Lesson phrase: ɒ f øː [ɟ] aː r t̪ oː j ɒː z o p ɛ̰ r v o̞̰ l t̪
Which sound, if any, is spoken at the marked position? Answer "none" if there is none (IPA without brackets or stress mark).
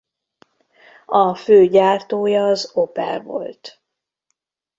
ɟ